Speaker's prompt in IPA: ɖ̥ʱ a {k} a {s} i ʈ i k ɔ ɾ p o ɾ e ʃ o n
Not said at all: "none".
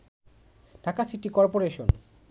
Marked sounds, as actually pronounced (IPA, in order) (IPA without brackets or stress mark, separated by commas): k, s